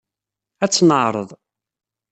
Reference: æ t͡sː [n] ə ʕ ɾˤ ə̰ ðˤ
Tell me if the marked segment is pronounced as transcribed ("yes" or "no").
yes